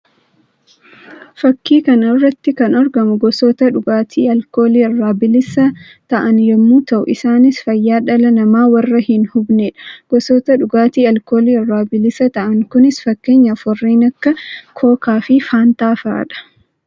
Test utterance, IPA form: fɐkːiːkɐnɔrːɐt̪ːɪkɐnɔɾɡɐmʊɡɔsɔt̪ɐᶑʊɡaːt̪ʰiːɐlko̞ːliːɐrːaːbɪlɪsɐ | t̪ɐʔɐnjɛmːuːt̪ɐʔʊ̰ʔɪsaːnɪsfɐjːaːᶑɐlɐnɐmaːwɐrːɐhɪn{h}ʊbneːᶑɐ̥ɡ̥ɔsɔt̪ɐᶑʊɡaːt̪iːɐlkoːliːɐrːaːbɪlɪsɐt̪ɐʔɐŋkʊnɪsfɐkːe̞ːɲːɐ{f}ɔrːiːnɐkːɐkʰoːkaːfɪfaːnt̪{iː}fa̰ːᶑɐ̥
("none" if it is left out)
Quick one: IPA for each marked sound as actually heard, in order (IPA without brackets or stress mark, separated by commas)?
h, f, aː